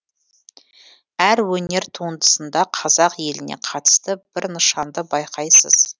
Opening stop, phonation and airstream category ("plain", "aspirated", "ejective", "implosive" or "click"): aspirated